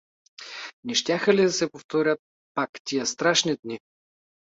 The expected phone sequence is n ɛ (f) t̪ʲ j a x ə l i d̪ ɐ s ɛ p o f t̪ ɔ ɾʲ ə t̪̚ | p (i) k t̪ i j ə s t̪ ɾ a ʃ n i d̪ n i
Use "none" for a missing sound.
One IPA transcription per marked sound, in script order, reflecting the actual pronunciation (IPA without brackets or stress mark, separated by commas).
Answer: ʃ, a